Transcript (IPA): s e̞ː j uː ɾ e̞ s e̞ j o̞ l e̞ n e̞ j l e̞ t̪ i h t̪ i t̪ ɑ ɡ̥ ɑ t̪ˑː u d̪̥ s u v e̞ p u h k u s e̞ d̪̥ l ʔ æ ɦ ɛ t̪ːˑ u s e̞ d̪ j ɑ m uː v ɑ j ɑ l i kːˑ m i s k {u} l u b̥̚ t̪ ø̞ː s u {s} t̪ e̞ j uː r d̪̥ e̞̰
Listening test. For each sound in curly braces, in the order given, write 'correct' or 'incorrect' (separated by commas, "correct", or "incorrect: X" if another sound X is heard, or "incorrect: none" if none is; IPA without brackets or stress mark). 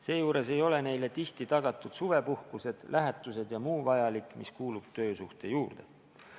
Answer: incorrect: uː, incorrect: h